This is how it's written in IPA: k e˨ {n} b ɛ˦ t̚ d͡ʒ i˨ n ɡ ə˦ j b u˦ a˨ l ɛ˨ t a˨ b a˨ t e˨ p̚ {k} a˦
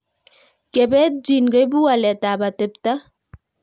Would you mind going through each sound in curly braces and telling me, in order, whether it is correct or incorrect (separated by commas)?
incorrect, incorrect